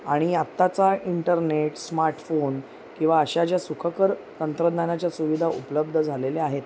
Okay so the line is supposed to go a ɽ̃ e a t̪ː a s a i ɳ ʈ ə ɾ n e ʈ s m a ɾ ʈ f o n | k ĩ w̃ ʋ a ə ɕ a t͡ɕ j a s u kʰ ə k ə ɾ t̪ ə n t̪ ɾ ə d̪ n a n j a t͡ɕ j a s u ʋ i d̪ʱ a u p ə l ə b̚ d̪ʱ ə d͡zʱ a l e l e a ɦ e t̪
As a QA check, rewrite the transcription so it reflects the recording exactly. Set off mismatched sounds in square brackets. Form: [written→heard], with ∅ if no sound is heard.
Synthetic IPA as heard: a ɽ̃ [e→i] a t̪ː a [s→t͡s] a i ɳ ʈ ə ɾ n e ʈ s m a ɾ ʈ f o n | k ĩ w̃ ʋ a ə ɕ a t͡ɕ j a s u kʰ ə k ə ɾ t̪ ə n t̪ ɾ ə d̪ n a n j a t͡ɕ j a s u ʋ i d̪ʱ a u p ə l ə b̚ d̪ʱ ə d͡zʱ a l e l e a ɦ e t̪